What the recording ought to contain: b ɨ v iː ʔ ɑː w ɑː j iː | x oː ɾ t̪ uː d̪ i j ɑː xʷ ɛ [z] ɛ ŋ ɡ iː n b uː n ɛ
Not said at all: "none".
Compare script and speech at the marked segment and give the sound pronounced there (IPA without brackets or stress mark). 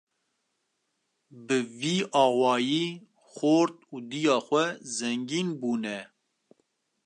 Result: z